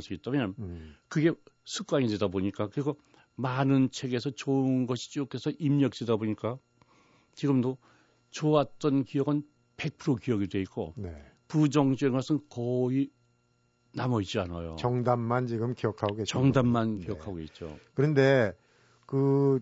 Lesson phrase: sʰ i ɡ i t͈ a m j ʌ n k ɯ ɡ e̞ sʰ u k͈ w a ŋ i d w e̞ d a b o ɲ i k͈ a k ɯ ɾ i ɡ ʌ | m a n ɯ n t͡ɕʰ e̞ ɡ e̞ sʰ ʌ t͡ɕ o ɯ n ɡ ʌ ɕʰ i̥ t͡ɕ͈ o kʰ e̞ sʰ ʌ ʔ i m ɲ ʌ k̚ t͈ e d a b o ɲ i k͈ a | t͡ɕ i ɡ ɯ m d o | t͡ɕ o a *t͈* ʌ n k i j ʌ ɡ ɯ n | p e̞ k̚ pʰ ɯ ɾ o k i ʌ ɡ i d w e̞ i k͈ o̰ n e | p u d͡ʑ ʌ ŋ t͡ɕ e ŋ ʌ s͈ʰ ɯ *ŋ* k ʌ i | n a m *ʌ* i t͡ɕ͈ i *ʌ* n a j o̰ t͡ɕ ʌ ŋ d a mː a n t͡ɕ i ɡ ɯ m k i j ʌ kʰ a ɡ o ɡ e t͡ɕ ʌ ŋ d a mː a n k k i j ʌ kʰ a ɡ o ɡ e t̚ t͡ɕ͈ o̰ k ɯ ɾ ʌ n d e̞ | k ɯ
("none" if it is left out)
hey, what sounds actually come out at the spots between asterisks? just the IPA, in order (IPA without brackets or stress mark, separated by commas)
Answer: t͈, n, ʌ, a